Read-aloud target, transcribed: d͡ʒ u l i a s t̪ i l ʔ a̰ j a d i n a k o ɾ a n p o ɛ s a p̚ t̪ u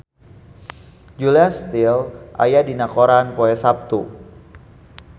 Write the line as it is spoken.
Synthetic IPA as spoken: d͡ʒ u l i a s t̪ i l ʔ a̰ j a d i n a k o ɾ a n p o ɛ s a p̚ t̪ u